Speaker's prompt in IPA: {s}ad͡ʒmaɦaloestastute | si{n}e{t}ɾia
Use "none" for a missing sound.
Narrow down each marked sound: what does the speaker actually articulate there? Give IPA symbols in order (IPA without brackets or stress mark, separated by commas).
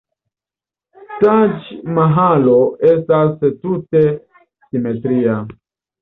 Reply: t, m, t